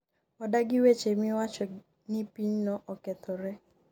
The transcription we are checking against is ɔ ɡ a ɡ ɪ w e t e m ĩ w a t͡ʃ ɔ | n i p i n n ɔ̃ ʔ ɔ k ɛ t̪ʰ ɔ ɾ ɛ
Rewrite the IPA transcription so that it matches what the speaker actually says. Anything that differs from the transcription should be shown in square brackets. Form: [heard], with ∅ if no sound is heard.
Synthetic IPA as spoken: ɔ [d] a ɡ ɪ w e [t͡ʃ] e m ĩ w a t͡ʃ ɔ | n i p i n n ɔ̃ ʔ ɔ k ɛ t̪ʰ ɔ ɾ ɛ

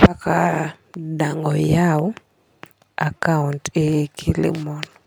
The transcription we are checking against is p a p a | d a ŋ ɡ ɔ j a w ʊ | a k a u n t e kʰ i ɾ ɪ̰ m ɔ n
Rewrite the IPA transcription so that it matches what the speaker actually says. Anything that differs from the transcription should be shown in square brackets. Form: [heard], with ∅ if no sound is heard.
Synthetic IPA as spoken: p a [k] a | d a ŋ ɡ ɔ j a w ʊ | a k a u n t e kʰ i [l] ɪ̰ m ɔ n

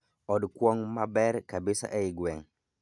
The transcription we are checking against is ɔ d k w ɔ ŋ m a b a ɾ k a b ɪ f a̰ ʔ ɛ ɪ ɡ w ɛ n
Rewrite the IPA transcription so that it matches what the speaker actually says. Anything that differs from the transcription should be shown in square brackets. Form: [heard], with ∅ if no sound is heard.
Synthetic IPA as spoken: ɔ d k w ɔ ŋ m a b [ɛ] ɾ k a b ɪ [s] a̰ ʔ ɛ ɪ ɡ w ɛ [ŋ]

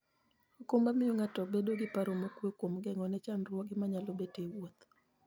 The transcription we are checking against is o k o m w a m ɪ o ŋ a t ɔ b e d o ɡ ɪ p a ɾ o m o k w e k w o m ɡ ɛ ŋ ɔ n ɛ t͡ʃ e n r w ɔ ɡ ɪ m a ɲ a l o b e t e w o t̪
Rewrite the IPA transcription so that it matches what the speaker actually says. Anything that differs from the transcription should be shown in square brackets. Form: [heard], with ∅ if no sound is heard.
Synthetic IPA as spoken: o k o m [b] a m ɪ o ŋ a t ɔ b e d o ɡ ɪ p a ɾ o m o k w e k w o m ɡ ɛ ŋ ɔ n ɛ t͡ʃ [a] n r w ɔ ɡ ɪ m a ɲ a l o b e t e w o t̪

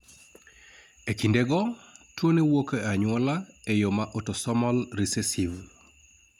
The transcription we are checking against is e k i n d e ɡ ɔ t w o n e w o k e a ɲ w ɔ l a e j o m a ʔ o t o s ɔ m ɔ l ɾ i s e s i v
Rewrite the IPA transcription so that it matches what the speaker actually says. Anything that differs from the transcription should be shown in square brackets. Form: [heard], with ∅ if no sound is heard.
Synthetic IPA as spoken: e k i n d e ɡ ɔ t w o n e w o k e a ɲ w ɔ l a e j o m a ʔ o t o s ɔ m ɔ l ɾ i s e s i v

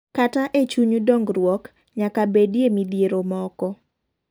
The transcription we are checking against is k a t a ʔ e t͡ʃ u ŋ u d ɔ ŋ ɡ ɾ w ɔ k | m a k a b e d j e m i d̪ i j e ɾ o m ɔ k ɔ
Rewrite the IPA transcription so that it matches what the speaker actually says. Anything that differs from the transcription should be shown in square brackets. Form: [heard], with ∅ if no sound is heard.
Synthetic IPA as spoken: k a t a ʔ e t͡ʃ u [ɲ] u d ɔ ŋ ɡ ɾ w ɔ k | [ɲ] a k a b e d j e m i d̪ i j e ɾ o m ɔ k ɔ

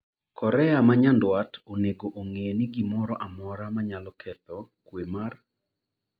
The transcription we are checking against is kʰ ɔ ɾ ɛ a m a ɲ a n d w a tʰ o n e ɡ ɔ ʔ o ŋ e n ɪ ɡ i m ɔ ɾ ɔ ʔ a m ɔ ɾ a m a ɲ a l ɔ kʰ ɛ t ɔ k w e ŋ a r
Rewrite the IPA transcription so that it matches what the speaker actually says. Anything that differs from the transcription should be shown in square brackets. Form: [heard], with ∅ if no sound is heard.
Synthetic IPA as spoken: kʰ ɔ ɾ ɛ a m a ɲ a n d w a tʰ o n e ɡ [o] ʔ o ŋ e n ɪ ɡ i m ɔ ɾ ɔ ʔ a m ɔ ɾ a m a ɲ a l ɔ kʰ ɛ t ɔ k w e [m] a r

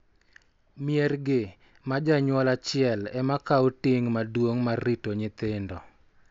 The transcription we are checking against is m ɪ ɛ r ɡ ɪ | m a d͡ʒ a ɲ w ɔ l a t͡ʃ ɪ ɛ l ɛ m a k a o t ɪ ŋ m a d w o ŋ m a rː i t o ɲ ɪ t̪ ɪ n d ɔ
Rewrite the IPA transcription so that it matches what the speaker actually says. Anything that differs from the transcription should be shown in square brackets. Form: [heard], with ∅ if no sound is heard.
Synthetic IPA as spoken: m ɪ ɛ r ɡ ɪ | m a d͡ʒ a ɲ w ɔ l a t͡ʃ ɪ ɛ l ɛ m a k a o t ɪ ŋ m a d w o ŋ m a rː i t o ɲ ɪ t̪ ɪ n d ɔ

